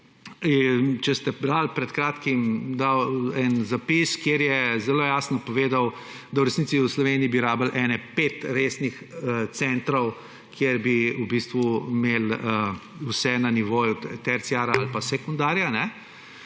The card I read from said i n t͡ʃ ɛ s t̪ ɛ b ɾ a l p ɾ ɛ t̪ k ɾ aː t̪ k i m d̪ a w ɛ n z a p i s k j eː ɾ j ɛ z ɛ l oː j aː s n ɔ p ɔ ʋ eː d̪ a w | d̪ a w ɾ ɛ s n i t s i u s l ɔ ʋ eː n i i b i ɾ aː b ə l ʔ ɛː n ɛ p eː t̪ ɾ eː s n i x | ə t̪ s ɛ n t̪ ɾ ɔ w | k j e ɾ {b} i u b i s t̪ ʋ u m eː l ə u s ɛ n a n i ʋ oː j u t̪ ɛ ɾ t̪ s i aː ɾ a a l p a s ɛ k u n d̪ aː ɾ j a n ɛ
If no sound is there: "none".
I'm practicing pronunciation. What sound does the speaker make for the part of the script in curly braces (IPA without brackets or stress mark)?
b